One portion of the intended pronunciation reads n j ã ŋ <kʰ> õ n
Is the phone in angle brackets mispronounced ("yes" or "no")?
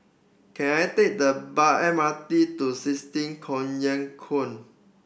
no